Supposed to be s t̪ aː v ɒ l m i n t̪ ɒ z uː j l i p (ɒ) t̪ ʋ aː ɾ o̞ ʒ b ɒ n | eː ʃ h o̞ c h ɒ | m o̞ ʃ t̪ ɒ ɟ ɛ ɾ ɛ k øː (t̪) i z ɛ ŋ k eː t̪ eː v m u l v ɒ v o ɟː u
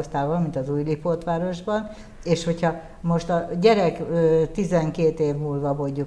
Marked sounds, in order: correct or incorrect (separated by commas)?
incorrect, correct